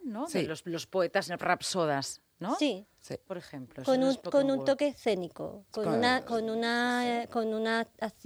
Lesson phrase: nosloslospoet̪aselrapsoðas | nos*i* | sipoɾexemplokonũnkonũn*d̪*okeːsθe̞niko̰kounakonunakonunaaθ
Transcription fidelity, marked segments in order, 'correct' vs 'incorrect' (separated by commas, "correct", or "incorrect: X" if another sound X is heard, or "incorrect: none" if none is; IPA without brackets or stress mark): correct, incorrect: t̪